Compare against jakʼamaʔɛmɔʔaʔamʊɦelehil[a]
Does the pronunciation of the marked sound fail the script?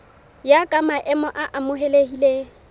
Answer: yes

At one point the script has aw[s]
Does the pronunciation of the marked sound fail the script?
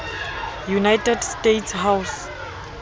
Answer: no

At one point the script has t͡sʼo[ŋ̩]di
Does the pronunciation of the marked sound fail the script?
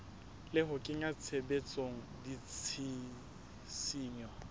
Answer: no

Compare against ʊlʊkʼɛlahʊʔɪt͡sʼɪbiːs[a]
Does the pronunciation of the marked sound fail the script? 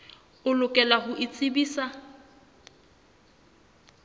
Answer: no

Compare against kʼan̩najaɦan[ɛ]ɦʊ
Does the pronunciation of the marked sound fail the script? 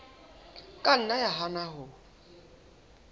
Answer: yes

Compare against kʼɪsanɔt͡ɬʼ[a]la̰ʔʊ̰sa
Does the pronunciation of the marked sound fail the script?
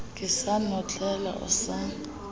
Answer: yes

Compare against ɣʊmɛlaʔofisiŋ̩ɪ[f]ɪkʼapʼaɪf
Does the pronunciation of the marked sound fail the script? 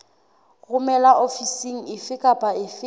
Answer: no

